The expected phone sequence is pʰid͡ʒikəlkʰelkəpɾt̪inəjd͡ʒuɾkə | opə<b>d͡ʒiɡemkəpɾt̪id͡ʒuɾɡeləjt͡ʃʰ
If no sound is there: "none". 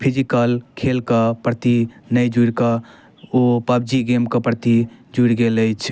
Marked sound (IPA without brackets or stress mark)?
b